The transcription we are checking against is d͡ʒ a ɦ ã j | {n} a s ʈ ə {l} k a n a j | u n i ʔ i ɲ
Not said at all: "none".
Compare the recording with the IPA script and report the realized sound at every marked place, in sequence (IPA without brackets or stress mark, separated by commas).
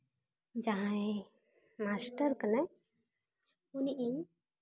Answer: m, ɾ